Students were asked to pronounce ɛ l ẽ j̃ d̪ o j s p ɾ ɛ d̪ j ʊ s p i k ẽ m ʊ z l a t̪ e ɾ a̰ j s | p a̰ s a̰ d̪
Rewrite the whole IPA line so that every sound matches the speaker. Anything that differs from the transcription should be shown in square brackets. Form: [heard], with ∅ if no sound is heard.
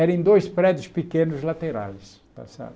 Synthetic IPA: ɛ [ɾ] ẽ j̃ d̪ o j s p ɾ ɛ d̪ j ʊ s p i k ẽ [n] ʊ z l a t̪ e ɾ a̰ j s | p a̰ s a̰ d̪

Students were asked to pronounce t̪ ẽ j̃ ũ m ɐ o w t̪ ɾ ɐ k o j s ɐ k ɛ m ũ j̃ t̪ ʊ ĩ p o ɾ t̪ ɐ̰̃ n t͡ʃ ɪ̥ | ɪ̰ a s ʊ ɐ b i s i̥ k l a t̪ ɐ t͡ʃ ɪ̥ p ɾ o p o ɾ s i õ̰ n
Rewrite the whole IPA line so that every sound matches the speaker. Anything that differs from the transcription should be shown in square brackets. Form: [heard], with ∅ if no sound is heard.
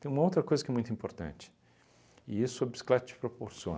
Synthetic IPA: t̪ ẽ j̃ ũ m ɐ o w t̪ ɾ ɐ k o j [z] ɐ k ɛ m ũ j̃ t̪ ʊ ĩ p o ɾ t̪ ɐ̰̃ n t͡ʃ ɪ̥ | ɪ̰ [i] s ʊ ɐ b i s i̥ k l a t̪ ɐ t͡ʃ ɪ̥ p ɾ o p o ɾ s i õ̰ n

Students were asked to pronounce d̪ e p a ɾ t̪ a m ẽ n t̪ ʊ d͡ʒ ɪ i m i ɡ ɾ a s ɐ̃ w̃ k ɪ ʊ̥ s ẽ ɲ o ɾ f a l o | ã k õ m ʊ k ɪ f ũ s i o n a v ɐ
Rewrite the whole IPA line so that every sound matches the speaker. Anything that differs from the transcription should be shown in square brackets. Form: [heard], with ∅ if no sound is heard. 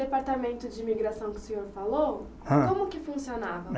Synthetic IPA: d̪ e p a ɾ t̪ a m ẽ n t̪ ʊ d͡ʒ ɪ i m i ɡ ɾ a s ɐ̃ w̃ k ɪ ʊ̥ s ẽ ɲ o ɾ f a l o | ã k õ m ʊ k ɪ f ũ s i o n a v ɐ

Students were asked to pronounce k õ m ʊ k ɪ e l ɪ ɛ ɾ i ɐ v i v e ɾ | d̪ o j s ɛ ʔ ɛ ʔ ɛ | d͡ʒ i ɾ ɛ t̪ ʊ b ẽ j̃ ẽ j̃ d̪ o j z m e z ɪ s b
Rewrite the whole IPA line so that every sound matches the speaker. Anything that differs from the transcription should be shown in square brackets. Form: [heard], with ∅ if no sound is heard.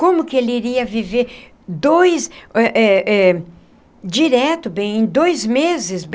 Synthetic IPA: k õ m ʊ k ɪ e l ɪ [i] ɾ i ɐ v i v e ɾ | d̪ o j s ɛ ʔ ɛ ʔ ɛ | d͡ʒ i ɾ ɛ t̪ ʊ b ẽ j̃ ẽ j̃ d̪ o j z m e z ɪ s b

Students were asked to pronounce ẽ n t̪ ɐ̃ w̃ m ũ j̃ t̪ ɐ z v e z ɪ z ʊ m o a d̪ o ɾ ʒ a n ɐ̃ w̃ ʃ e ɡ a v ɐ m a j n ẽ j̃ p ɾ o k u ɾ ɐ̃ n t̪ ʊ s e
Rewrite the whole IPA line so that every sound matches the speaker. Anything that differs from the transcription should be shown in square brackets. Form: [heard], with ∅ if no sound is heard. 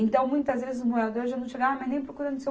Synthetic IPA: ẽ n t̪ ɐ̃ w̃ m ũ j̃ t̪ ɐ z v e z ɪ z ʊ m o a d̪ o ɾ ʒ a n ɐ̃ w̃ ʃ e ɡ a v ɐ m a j n ẽ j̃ p ɾ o k u ɾ ɐ̃ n [d̪] ʊ s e

